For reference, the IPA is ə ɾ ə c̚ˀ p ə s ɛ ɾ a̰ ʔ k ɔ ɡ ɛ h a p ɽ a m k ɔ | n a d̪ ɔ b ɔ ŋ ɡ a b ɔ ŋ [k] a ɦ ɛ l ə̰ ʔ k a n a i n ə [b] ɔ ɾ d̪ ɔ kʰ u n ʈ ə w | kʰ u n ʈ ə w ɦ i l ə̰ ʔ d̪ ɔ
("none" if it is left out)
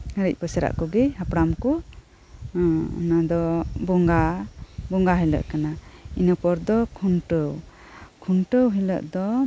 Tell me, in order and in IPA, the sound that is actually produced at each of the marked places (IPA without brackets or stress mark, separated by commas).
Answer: ɡ, p